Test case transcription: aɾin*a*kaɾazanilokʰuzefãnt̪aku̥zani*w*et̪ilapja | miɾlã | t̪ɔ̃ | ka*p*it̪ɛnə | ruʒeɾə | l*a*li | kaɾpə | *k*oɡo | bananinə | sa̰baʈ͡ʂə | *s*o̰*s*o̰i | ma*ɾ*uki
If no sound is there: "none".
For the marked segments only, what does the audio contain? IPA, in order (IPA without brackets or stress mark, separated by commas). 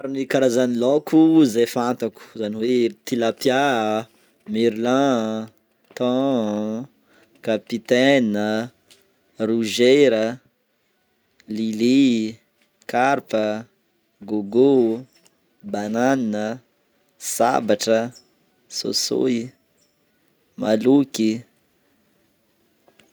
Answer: i, w, p, i, ɡ, s, s, l